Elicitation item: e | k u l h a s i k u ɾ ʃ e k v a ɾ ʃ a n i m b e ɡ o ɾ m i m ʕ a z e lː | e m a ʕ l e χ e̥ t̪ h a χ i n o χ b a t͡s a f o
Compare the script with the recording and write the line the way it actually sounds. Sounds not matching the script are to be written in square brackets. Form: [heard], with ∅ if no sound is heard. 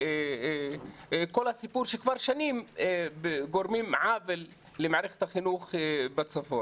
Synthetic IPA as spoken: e | k [o] l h a s i [p] u ɾ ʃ e k v a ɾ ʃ a n i m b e ɡ o ɾ m i m ʕ a [v] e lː | e m a ʕ [ɾ] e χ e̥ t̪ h a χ i n [u] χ b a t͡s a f o